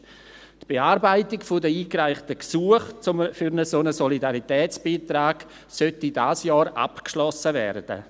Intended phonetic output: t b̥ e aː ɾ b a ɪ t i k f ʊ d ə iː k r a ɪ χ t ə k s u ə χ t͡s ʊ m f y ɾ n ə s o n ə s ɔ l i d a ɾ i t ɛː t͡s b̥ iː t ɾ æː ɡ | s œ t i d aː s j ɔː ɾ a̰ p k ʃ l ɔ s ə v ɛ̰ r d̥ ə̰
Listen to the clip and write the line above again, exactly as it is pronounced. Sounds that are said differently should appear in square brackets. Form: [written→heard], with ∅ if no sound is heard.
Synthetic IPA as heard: t b̥ e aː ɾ b a ɪ t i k f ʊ d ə iː k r a ɪ χ t ə k s u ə χ t͡s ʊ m f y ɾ n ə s o n ə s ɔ l i d a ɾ i t ɛː t͡s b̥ iː t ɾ [æː→aː] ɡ | s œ t i d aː s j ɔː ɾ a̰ p k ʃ l ɔ s ə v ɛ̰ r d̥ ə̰

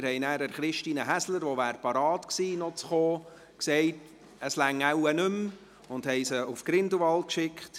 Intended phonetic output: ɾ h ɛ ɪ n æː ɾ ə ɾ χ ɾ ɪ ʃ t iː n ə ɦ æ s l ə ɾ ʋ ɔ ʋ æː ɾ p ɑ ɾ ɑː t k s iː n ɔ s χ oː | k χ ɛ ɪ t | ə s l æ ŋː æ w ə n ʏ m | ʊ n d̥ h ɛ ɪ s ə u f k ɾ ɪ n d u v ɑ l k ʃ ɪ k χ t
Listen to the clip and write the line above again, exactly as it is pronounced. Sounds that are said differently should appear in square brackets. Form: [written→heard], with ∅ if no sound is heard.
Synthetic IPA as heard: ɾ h ɛ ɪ n æː ɾ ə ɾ χ ɾ ɪ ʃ t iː n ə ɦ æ s l ə ɾ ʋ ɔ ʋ æː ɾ p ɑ ɾ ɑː t k s iː n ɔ [s→t͡s] χ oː | k [χ→s] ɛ ɪ t | ə s l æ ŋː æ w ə n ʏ m | ʊ n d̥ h ɛ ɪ s ə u f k ɾ ɪ n d u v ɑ l k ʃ ɪ k χ t

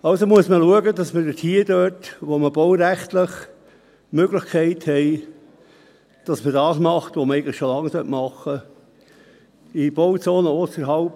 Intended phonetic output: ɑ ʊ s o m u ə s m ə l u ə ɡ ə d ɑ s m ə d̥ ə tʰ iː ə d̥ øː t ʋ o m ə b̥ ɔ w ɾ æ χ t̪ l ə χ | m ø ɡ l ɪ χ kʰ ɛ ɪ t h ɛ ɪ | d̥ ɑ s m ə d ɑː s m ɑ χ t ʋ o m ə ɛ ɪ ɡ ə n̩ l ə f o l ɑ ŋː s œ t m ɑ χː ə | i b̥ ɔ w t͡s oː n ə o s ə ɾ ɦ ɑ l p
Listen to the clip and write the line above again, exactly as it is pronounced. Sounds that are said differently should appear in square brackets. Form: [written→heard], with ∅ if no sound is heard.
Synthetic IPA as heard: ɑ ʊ s o m u ə s m ə l u ə ɡ ə d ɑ s m ə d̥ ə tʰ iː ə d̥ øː t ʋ o m ə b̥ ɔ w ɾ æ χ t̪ l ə χ | m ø ɡ l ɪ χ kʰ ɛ ɪ t h ɛ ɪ | d̥ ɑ s m ə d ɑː s m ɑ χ t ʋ o m ə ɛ ɪ ɡ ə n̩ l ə [f→ʃ] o l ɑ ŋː s œ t m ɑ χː ə | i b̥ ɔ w t͡s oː n ə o s ə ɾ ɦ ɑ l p

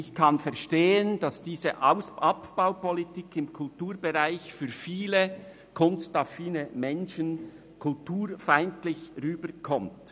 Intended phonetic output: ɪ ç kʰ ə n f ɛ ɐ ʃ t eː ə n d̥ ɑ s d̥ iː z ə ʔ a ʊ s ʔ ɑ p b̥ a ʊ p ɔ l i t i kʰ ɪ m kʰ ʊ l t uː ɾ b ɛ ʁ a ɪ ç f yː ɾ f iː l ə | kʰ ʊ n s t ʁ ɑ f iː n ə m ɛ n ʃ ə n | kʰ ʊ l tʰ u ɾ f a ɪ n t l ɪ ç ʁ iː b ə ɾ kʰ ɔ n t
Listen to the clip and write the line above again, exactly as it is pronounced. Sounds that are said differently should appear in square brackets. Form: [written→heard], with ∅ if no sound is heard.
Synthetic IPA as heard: ɪ ç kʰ [ə→ɑ] n f ɛ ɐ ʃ t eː ə n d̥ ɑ s d̥ iː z ə ʔ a ʊ s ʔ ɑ p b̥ a ʊ p ɔ l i t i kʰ ɪ m kʰ ʊ l t uː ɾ b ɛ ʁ a ɪ ç f yː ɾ f iː l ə | kʰ ʊ n s t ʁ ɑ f iː n ə m ɛ n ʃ ə n | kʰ ʊ l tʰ [u→uː] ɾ f a ɪ n t l ɪ ç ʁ [iː→yː] b ə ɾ kʰ ɔ [n→m] t

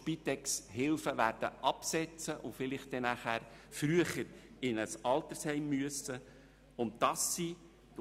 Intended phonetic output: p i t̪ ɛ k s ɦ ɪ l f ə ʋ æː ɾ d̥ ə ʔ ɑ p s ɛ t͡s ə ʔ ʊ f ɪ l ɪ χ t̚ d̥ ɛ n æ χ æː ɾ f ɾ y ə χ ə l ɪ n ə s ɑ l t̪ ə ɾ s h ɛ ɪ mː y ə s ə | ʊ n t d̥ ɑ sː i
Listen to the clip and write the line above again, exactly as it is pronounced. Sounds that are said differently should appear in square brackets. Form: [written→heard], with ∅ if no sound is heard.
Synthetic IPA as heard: p i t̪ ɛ k s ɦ ɪ l f ə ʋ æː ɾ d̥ ə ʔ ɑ p s ɛ t͡s ə ʔ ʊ f ɪ l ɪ χ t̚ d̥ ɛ n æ χ æː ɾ f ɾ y ə χ ə [l→ɾ] ɪ n ə s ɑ l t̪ ə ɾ s h ɛ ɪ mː y ə s ə | ʊ n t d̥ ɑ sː i

